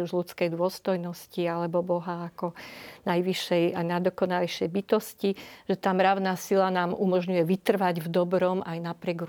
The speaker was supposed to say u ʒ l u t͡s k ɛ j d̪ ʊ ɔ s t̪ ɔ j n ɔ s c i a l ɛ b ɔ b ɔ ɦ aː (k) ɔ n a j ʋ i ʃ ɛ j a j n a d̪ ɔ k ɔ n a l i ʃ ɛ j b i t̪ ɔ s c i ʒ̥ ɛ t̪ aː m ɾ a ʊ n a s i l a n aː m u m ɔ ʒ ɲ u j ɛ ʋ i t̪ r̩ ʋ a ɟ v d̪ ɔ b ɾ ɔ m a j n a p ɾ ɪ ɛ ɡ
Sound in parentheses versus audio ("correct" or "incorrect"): correct